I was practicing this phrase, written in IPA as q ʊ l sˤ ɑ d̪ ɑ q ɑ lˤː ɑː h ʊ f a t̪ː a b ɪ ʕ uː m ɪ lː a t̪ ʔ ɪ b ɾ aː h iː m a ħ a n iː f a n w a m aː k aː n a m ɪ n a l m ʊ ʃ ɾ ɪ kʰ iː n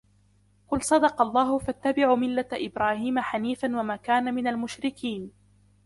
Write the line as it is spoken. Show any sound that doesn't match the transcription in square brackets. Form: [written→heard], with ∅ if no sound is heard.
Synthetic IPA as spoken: q ʊ l sˤ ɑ d̪ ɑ q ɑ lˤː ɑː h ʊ f a t̪ː a b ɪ ʕ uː m ɪ lː a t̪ ʔ ɪ b ɾ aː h iː m a ħ a n iː f a n w a m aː k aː n a m ɪ n a l m ʊ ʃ ɾ ɪ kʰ iː n